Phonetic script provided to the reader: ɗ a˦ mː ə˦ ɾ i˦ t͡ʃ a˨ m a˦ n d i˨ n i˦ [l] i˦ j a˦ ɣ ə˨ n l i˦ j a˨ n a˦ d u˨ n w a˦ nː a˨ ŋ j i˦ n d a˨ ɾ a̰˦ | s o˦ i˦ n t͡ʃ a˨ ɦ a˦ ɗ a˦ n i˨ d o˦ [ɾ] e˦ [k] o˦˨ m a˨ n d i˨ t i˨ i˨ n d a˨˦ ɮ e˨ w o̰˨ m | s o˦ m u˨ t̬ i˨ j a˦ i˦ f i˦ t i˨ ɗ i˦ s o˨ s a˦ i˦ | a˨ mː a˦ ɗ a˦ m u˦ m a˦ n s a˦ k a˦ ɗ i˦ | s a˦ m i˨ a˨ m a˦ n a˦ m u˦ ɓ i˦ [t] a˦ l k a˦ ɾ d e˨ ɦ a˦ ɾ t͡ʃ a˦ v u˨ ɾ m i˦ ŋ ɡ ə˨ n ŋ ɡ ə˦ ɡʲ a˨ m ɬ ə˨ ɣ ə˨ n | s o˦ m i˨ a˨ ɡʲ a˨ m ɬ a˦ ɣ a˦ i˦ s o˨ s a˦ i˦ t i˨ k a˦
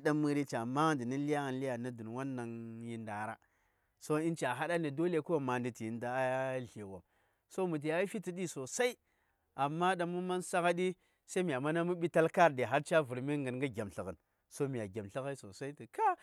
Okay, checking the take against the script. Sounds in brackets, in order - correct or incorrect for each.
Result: correct, incorrect: l, correct, correct

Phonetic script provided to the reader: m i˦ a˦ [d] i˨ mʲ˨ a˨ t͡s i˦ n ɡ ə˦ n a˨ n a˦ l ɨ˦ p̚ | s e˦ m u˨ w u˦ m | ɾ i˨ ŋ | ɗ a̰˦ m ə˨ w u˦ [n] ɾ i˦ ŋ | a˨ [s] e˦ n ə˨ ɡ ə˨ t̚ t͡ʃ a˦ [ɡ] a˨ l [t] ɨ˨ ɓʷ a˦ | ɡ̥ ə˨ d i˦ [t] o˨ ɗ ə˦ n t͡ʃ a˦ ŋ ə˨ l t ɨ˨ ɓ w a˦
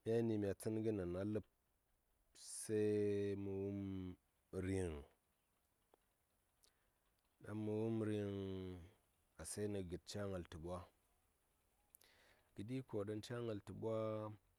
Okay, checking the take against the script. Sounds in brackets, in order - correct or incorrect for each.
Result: incorrect: n, incorrect: m, correct, incorrect: ŋ, correct, incorrect: k

